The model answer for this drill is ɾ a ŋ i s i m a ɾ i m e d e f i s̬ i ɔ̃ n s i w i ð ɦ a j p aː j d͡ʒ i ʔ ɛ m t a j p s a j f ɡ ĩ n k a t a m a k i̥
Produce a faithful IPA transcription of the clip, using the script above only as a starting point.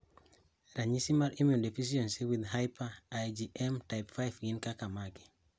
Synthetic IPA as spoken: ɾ a ɲ i s i m a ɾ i m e d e f i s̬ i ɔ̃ n s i w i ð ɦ a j p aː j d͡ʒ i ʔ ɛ m t a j p f a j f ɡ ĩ n k a k a m a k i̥